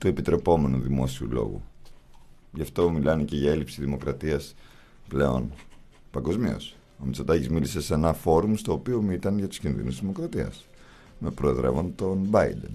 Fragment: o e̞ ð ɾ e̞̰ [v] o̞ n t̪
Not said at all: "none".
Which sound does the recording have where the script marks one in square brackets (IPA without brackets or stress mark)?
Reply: v